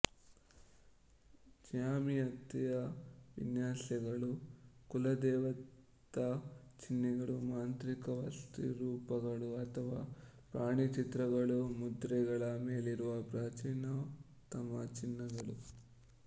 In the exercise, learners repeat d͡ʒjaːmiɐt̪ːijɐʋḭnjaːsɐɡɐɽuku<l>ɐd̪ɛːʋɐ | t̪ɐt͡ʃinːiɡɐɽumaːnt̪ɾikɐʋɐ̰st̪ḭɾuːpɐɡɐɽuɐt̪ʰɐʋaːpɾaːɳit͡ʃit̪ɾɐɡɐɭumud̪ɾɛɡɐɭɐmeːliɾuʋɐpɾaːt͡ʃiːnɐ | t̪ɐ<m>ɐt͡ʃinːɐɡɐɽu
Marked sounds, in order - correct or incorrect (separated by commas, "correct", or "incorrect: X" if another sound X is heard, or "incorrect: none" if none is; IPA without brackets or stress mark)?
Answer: correct, correct